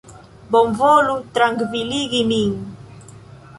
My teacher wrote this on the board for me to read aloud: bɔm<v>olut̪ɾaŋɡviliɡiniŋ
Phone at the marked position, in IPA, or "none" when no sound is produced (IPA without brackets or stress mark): v